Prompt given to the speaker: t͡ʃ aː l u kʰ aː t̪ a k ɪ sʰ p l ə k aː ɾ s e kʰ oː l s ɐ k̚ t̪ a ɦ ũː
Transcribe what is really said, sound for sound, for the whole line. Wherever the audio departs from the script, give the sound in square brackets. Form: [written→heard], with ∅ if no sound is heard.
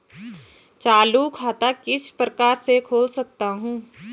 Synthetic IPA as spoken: t͡ʃ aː l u kʰ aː t̪ a k ɪ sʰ p [l→ɾ] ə k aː ɾ s e kʰ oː l s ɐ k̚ t̪ a ɦ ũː